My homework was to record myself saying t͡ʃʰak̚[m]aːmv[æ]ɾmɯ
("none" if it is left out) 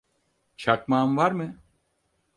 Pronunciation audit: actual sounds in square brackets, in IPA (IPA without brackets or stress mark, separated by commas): m, a